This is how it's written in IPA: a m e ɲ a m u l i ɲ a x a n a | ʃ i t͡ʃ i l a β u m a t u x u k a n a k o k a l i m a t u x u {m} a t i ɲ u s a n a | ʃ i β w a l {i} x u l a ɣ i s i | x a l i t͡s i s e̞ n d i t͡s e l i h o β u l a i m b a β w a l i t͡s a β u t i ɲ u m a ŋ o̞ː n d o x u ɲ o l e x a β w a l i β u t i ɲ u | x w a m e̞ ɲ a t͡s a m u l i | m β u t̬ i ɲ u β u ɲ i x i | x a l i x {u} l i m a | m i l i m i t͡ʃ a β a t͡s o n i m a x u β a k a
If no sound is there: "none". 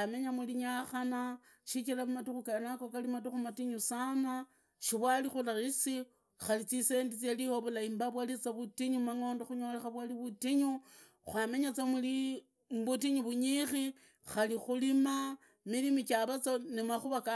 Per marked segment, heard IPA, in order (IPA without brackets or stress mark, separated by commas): m, i, u